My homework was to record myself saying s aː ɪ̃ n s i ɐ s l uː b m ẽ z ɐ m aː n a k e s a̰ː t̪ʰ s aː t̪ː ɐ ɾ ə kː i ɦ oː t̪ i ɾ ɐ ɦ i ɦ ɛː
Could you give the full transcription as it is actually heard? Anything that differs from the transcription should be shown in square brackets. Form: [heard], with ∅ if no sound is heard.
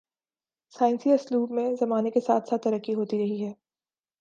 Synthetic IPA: s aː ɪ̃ n s i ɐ s l uː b m ẽ z ɐ m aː n [e] k e s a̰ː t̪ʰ s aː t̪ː ɐ ɾ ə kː i ɦ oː t̪ i ɾ ɐ ɦ i ɦ ɛː